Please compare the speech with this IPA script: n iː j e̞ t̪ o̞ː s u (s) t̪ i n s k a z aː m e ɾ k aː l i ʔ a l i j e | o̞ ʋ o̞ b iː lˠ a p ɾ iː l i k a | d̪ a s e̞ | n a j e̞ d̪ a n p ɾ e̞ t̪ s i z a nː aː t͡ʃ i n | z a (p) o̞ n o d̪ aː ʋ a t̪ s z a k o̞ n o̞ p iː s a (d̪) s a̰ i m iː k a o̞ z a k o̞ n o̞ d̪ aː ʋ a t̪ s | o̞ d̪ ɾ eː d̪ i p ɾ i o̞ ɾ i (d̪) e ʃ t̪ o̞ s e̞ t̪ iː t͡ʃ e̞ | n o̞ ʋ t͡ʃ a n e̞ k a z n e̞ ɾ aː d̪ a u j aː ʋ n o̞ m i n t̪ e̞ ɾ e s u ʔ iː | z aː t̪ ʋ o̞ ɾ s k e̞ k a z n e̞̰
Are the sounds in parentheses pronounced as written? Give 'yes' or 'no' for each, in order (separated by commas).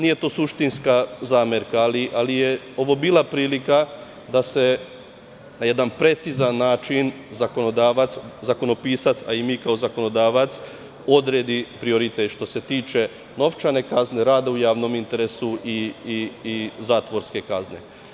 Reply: no, no, no, no